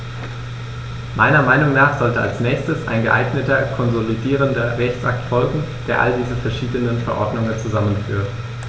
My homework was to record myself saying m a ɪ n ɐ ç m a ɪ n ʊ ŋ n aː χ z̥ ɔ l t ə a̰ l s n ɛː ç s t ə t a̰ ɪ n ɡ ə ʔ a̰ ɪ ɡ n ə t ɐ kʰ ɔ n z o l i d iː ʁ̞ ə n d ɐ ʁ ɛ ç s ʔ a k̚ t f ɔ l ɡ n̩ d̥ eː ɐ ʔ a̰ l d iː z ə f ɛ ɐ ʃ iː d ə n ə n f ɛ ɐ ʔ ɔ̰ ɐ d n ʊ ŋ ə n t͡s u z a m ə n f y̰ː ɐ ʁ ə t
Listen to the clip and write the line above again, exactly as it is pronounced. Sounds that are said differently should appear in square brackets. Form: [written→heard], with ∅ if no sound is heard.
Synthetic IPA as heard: m a ɪ n ɐ [ç→∅] m a ɪ n ʊ ŋ n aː χ z̥ ɔ l t ə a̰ l s n ɛː ç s t ə [t→s] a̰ ɪ n ɡ ə ʔ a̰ ɪ ɡ n ə t ɐ kʰ ɔ n z o l i d iː ʁ̞ ə n d ɐ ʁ ɛ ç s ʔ a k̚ t f ɔ l ɡ [n̩→ŋ̩] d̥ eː ɐ ʔ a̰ l d iː z ə f ɛ ɐ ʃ iː d ə n ə n f ɛ ɐ ʔ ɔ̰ ɐ d n ʊ ŋ ə n t͡s u z a m ə n f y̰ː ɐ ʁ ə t